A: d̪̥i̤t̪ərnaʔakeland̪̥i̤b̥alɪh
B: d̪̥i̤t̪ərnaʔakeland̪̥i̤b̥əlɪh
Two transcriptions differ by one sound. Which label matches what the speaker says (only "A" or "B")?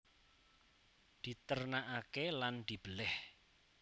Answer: B